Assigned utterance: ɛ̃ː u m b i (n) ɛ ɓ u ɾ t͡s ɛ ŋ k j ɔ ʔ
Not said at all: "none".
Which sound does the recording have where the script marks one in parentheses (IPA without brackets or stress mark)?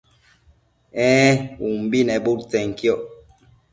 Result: n